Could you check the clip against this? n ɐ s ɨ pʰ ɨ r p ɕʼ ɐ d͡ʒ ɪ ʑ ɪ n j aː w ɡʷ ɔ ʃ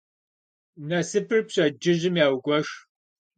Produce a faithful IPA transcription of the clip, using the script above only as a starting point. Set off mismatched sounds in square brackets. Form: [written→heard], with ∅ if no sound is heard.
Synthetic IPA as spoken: n ɐ s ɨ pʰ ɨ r p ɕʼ ɐ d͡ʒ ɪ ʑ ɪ [n→m] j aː w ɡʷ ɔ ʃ